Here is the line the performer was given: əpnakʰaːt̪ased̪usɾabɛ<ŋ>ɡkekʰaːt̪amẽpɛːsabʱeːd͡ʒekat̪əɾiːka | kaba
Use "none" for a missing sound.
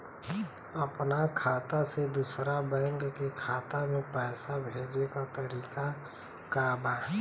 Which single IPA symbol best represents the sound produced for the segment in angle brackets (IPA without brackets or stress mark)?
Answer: ŋ